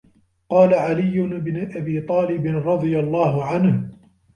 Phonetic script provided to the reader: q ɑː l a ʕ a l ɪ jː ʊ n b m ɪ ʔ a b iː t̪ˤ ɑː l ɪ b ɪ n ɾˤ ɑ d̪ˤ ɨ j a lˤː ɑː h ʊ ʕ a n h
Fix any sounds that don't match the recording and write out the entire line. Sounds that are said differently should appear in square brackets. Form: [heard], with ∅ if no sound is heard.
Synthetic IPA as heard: q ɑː l a ʕ a l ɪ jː ʊ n b [n] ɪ ʔ a b iː t̪ˤ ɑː l ɪ b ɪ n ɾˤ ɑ d̪ˤ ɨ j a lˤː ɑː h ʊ ʕ a n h